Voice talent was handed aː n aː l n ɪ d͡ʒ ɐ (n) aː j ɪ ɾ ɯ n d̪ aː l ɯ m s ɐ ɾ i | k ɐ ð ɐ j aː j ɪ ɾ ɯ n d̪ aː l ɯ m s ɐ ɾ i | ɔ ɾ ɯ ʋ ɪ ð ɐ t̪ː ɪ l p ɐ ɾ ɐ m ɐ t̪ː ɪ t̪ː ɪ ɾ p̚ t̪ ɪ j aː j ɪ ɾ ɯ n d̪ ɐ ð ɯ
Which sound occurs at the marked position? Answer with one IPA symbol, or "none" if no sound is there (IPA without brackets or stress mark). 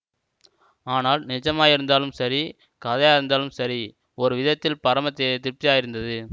m